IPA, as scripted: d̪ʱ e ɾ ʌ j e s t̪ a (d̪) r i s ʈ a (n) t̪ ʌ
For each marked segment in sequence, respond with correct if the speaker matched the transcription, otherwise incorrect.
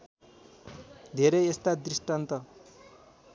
correct, correct

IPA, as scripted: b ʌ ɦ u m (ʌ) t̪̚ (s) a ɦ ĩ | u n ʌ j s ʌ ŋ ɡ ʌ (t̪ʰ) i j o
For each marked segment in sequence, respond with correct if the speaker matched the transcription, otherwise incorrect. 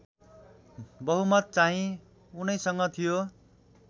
correct, incorrect, correct

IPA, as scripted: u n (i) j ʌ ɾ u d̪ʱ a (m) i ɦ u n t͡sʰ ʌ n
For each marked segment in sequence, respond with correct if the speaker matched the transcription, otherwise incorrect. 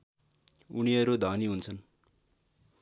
correct, incorrect

